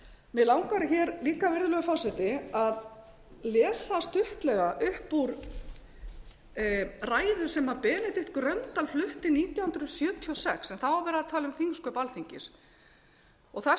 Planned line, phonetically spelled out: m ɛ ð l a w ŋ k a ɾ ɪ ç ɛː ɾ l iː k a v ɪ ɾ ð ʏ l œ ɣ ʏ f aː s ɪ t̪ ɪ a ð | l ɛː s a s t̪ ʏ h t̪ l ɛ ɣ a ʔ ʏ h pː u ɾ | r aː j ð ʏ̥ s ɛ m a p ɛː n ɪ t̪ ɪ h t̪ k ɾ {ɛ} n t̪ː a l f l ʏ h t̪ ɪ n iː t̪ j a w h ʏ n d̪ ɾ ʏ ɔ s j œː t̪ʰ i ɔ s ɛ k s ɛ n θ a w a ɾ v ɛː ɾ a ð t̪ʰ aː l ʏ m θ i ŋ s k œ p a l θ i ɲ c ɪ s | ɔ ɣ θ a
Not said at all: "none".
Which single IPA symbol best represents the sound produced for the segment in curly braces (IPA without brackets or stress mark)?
œ